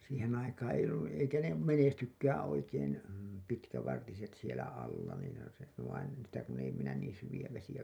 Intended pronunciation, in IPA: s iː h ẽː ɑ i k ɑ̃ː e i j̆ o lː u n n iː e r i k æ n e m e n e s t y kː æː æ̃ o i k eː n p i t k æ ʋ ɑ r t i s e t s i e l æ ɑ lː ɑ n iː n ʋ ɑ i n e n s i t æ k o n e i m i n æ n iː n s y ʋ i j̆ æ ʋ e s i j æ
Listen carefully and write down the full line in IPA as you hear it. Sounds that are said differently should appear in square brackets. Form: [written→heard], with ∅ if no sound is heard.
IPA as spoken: s iː h ẽː ɑ i k ɑ̃ː e i j̆ o lː u n n iː e [r→∅] i k æ n e m e n e s t y kː æː æ̃ o i k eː n p i t k æ ʋ ɑ r t i s e t s i e l æ ɑ lː ɑ n iː n ʋ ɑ i n e n s i t æ k [o→u] n e i m i n æ n iː n s y ʋ i j̆ æ ʋ e s i j æ